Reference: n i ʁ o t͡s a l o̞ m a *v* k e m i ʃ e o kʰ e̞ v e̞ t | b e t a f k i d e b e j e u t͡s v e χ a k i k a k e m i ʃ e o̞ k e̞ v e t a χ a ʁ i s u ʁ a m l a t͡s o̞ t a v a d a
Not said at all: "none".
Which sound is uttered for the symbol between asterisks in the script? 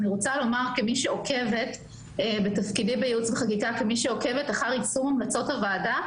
ʁ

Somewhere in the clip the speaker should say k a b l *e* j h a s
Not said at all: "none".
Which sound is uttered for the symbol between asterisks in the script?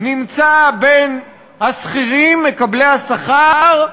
e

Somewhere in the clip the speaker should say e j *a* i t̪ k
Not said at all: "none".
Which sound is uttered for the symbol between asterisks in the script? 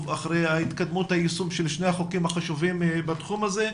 a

